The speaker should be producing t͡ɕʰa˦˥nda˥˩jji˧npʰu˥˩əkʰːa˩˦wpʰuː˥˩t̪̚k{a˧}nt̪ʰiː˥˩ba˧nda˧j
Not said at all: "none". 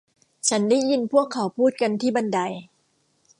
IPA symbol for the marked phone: a˧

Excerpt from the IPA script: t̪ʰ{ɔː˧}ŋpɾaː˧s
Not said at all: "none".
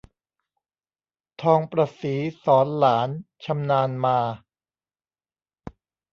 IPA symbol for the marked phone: ɔː˧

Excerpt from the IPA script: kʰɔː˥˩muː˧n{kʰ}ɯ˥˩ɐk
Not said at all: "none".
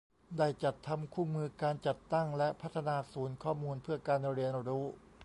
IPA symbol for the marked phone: pʰ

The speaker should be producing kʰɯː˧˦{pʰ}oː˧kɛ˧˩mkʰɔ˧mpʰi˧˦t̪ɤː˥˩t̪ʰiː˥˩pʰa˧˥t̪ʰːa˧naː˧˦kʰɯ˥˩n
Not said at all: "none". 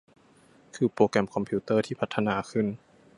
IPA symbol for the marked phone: p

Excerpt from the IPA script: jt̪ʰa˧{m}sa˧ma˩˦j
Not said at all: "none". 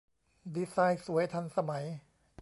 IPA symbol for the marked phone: n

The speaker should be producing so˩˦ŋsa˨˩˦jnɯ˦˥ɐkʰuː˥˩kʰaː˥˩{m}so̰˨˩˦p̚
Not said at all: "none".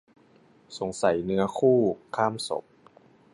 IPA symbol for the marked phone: m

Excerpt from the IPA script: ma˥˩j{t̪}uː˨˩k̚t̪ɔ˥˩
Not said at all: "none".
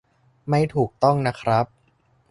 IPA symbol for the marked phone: t̪ʰ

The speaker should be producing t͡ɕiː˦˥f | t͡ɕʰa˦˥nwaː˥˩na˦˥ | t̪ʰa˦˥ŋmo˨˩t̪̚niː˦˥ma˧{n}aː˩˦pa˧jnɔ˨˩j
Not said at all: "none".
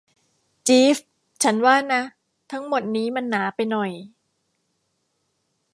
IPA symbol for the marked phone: nː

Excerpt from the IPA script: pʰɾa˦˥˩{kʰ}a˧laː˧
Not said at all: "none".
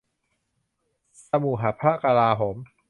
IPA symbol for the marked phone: k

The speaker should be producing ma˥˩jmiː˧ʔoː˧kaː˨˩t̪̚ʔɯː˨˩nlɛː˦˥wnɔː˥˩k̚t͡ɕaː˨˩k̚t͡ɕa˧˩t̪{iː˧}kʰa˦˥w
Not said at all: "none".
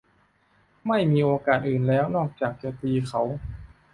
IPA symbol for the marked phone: iː˧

